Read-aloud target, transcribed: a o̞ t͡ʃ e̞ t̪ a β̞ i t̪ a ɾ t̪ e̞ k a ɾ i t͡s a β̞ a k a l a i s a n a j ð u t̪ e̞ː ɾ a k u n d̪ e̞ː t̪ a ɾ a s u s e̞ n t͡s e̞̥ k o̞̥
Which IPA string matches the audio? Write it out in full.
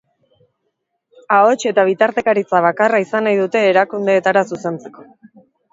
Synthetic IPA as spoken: a o̞ t͡ʃ e̞ t̪ a β̞ i t̪ a ɾ t̪ e̞ k a ɾ i t͡s a β̞ a k a r a i s a n a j ð u t̪ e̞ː ɾ a k u n d̪ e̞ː t̪ a ɾ a s u s e̞ n t͡s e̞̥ k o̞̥